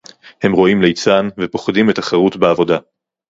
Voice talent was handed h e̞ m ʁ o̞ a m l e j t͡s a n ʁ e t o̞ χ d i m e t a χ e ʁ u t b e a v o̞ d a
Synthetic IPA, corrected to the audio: h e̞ m ʁ o̞ i m l e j t͡s a n v e p o̞ χ d i m e t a χ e ʁ u t b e a v o̞ d a